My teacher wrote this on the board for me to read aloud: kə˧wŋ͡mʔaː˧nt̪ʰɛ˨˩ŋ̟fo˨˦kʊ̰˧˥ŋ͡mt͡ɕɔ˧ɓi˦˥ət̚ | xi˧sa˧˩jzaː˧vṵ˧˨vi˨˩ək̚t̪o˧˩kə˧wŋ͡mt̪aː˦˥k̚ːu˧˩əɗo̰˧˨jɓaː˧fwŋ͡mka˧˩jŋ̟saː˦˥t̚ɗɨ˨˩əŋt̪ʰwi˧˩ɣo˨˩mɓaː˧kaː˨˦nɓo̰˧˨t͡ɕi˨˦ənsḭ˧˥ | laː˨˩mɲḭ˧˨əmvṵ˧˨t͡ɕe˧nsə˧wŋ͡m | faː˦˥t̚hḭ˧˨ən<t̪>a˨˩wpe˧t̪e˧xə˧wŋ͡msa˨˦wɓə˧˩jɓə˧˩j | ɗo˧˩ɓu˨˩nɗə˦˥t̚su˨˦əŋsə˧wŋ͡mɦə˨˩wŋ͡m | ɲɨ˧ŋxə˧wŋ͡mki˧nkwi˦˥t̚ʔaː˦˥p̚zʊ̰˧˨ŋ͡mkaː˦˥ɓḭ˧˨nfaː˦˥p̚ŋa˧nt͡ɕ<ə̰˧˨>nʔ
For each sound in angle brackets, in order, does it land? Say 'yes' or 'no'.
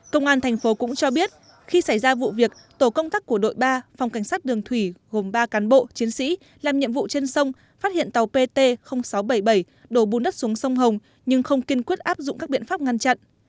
yes, no

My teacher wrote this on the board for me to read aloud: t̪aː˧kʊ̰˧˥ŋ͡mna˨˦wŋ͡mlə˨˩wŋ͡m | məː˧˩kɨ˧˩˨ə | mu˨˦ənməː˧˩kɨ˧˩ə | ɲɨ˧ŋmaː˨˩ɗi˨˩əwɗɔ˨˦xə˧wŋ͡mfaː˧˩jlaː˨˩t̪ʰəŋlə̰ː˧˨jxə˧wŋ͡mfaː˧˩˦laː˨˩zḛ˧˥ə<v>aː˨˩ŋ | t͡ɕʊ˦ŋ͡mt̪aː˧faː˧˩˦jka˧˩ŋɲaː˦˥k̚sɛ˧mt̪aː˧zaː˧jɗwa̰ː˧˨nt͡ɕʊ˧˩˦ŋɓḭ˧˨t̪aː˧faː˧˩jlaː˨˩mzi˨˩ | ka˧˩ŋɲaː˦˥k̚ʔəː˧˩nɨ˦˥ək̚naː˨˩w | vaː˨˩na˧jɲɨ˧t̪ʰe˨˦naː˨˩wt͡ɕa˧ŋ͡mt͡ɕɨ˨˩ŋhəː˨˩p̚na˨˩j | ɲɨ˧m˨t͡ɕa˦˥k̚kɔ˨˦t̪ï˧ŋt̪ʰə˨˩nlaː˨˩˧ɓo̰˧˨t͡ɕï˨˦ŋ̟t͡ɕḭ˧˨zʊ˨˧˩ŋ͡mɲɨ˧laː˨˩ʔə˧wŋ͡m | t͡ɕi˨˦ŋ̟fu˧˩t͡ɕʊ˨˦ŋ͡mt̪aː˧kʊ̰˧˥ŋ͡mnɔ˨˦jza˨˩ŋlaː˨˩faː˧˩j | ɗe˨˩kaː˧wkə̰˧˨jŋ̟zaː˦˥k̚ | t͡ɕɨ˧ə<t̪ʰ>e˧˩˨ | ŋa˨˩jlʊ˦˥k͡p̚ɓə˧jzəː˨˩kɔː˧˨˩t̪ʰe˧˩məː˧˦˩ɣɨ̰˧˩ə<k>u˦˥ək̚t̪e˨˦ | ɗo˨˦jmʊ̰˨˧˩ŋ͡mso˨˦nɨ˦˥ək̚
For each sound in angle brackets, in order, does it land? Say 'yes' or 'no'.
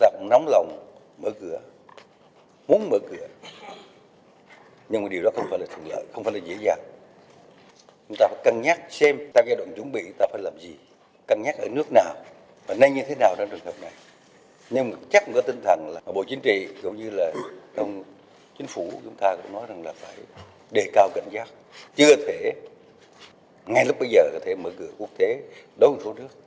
no, yes, yes

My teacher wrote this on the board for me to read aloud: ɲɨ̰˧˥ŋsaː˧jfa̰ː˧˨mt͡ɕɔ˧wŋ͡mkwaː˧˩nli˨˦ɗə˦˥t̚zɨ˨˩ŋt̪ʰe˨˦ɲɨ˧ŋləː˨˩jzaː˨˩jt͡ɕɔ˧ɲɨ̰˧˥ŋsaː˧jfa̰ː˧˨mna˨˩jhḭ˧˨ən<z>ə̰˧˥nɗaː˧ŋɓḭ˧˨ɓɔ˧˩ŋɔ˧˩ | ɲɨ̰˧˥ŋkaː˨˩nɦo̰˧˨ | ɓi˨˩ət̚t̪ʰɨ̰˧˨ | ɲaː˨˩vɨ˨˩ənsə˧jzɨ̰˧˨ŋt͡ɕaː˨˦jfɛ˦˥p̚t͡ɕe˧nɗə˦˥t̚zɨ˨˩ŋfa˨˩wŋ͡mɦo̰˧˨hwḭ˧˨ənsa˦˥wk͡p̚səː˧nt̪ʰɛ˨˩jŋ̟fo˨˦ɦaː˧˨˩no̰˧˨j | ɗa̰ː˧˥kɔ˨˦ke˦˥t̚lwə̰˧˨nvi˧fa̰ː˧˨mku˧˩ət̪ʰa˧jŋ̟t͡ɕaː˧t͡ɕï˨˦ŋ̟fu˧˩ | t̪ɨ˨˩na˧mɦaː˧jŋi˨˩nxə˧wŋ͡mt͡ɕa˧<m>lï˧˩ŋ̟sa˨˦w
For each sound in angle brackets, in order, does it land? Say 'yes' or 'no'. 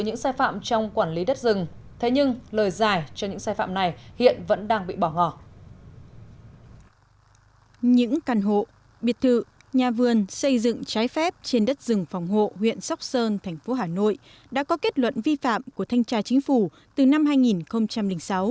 no, yes

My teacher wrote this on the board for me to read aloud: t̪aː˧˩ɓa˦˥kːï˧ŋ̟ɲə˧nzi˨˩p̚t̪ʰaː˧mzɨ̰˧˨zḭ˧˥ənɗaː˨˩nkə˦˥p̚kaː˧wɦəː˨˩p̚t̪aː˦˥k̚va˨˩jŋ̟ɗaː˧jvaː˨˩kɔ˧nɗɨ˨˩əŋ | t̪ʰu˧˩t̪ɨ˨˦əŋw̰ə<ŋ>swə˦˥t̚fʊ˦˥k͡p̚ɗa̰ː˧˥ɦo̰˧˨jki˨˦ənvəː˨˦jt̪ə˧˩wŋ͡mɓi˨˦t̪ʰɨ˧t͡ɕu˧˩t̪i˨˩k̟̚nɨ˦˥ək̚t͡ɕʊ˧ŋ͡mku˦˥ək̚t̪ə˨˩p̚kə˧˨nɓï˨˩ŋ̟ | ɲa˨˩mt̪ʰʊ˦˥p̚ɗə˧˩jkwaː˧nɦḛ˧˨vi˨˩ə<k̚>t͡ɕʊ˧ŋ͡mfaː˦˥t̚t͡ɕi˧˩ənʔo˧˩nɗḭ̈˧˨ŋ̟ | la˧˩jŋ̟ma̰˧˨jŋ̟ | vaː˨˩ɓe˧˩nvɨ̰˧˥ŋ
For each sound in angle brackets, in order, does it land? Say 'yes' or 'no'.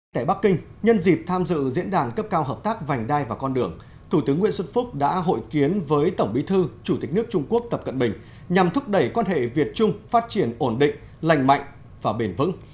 no, no

